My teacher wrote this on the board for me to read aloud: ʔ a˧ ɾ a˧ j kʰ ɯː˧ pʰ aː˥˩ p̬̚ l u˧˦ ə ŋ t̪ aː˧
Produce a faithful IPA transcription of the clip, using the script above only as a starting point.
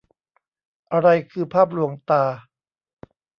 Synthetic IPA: ʔ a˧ ɾ a˧ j kʰ ɯː˧ pʰ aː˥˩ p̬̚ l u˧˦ ə ŋ t̪ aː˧